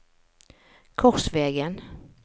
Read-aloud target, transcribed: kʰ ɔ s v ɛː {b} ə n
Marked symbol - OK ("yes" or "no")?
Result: no